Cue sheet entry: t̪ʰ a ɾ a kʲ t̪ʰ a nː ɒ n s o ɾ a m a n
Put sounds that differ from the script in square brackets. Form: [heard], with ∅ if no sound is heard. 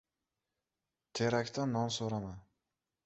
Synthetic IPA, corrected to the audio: t̪ʰ [e] ɾ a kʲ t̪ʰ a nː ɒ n s o ɾ a m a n

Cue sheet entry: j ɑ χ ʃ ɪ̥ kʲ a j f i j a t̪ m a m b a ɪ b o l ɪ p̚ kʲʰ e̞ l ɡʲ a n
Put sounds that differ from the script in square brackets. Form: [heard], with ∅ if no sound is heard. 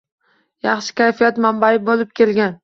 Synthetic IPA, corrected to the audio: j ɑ χ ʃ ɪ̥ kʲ a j f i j a t̪ m a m b a ɪ b o l ɪ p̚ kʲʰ e̞ l ɡʲ a n

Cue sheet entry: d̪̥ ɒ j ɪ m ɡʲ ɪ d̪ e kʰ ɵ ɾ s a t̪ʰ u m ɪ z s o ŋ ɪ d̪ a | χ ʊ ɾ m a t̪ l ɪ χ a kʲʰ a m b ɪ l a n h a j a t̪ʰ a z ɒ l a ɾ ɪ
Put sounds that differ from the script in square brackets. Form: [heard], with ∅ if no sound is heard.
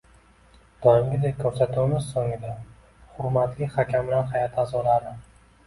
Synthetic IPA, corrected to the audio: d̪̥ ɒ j ɪ m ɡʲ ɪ d̪ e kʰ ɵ ɾ s a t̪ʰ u m ɪ z s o ŋ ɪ d̪ a | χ ʊ ɾ m a t̪ l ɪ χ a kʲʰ a m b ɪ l a n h a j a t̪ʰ a z ɒ l a ɾ ɪ

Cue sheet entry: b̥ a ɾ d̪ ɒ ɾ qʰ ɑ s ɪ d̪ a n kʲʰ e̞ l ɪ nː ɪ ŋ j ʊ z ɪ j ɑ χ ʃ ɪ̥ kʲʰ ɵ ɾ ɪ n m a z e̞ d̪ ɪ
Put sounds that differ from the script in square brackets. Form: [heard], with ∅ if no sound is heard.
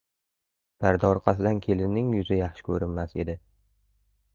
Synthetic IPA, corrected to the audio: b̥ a ɾ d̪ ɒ ɾ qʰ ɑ s ɪ d̪ a n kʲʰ e̞ l ɪ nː ɪ ŋ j ʊ z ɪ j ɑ χ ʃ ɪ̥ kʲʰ ɵ ɾ ɪ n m a [s] e̞ d̪ ɪ

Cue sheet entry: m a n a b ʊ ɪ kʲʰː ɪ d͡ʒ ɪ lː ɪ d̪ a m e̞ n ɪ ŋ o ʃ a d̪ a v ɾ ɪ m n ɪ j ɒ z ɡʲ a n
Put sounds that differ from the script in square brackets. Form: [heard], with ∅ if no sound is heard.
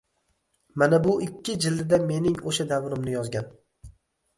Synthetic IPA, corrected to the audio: m a n a b ʊ ɪ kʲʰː ɪ d͡ʒ ɪ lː ɪ d̪ a m e̞ n ɪ ŋ o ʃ a d̪ a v ɾ ɪ m n ɪ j ɒ z ɡʲ a n

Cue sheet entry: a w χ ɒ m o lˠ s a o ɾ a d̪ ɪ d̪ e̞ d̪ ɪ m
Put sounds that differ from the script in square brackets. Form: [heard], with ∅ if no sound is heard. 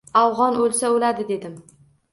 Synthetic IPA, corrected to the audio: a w [ʁ] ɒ [n] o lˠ s a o [l] a d̪ ɪ d̪ e̞ d̪ ɪ m

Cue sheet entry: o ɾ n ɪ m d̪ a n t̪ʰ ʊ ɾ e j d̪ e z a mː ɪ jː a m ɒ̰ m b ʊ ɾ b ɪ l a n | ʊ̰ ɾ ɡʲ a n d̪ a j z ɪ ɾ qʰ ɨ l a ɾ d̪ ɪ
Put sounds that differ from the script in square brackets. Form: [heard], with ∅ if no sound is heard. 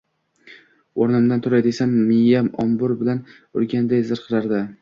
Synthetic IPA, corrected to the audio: o ɾ n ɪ m d̪ a n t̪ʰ ʊ ɾ [a] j d̪ e [s] a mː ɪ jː a m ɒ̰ m b ʊ ɾ b ɪ l a n | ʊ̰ ɾ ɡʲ a n d̪ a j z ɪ ɾ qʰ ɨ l a ɾ d̪ ɪ

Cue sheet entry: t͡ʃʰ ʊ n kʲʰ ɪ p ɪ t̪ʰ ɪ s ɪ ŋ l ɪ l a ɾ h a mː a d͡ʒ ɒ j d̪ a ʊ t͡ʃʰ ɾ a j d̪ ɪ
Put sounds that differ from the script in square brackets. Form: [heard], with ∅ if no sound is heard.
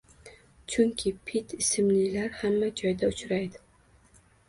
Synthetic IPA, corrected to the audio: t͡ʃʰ ʊ [ŋ] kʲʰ ɪ [pʰ] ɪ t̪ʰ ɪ s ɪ [m] l ɪ l a ɾ h a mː a d͡ʒ ɒ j d̪ a ʊ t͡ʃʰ ɾ a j d̪ ɪ

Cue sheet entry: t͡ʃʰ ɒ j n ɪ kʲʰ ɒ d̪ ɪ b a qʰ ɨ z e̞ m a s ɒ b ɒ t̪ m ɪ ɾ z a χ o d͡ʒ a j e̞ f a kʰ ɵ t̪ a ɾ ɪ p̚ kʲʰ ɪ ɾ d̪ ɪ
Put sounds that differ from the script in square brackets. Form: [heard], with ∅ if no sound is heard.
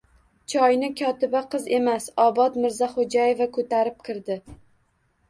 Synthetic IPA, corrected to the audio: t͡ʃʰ ɒ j n ɪ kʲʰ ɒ [t̪] ɪ b a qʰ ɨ z e̞ m a s ɒ b ɒ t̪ m ɪ ɾ z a χ o d͡ʒ a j e̞ [v] a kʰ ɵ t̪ a ɾ ɪ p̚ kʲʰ ɪ ɾ d̪ ɪ

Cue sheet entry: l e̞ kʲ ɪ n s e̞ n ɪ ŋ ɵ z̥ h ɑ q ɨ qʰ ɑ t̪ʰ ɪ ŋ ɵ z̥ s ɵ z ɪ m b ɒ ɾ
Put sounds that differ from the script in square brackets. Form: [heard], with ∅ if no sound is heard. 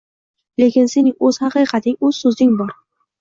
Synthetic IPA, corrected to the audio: l e̞ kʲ ɪ n s e̞ n ɪ ŋ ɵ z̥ h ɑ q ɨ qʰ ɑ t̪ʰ ɪ ŋ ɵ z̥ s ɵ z ɪ [ŋ] b ɒ ɾ

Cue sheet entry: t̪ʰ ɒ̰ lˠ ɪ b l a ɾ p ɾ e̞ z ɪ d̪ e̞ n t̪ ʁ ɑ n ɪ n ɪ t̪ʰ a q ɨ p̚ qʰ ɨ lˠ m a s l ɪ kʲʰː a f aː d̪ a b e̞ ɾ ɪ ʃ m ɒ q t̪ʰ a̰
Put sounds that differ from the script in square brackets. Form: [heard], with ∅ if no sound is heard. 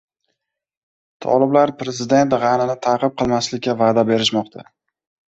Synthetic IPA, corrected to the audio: t̪ʰ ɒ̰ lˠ ɪ b l a ɾ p ɾ e̞ z ɪ d̪ e̞ n t̪ ʁ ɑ n ɪ n ɪ t̪ʰ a q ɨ p̚ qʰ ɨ lˠ m a s l ɪ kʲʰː a [v] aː d̪ a b e̞ ɾ ɪ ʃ m ɒ q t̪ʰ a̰

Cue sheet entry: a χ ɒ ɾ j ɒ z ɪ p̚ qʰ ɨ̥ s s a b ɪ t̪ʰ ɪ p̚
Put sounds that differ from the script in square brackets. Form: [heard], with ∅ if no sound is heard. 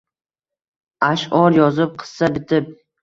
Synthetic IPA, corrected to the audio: a [ʃ] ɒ ɾ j ɒ z ɪ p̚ qʰ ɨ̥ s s a b ɪ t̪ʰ ɪ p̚

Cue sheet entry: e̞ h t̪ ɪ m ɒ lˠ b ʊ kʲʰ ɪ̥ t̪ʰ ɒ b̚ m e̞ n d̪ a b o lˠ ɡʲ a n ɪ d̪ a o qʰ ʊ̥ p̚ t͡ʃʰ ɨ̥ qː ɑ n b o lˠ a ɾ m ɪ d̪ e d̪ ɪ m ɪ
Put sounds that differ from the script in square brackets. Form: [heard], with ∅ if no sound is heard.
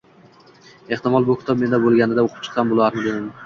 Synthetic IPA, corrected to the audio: e̞ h t̪ ɪ m ɒ lˠ b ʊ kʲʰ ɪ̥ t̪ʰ ɒ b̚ m e̞ n d̪ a b o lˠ ɡʲ a n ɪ d̪ a o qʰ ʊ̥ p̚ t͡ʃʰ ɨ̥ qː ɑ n b o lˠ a ɾ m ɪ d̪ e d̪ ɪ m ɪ

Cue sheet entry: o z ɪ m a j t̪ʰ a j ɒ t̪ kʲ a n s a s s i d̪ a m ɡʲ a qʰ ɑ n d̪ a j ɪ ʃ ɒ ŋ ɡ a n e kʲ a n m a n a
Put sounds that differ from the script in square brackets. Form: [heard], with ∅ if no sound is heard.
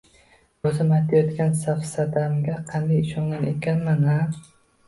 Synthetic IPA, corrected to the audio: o z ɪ m a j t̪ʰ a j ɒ t̪ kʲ a n s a [f] s [a] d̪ a m ɡʲ a qʰ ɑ n d̪ a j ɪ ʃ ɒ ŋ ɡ a n e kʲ a n m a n a

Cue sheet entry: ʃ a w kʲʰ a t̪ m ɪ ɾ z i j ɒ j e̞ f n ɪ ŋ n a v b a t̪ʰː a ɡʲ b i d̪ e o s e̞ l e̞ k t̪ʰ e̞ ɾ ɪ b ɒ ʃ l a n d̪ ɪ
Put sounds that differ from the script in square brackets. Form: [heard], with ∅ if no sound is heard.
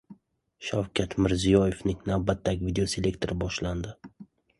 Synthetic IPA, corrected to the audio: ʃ a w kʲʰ a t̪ m ɪ ɾ z i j ɒ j e̞ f n ɪ ŋ n a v b a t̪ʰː a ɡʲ [v] i d̪ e o s e̞ l e̞ k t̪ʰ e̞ ɾ ɪ b ɒ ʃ l a n d̪ ɪ

